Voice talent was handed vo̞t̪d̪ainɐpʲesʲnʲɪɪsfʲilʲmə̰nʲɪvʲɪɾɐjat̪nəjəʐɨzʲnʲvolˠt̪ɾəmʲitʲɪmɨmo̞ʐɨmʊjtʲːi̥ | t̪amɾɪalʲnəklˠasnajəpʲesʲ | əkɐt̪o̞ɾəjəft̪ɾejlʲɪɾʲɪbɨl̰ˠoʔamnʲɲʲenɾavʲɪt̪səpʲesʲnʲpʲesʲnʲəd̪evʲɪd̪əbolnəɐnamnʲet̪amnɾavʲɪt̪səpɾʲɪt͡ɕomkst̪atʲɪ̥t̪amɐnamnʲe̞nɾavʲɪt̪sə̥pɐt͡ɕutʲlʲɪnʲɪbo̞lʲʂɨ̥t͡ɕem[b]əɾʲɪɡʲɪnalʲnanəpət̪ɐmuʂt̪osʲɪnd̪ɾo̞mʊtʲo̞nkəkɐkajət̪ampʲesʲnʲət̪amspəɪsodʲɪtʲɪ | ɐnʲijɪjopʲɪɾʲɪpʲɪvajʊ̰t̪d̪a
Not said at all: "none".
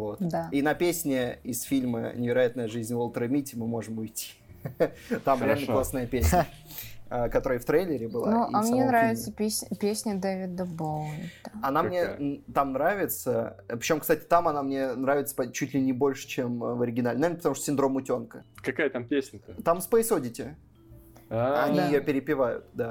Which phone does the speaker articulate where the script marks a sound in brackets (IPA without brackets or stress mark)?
v